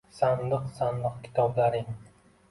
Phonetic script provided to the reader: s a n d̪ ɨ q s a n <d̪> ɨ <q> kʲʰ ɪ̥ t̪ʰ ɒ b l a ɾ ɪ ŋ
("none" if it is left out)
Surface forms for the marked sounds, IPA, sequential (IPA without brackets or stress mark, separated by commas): d̪, q